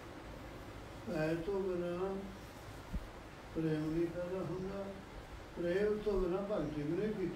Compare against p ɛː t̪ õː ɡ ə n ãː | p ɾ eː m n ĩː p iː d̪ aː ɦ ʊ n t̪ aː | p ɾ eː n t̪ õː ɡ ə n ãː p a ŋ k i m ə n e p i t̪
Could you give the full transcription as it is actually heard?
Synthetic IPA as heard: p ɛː t̪ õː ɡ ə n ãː | p ɾ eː m n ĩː p ɛː d̪ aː ɦ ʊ n d̪ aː | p ɾ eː m t̪ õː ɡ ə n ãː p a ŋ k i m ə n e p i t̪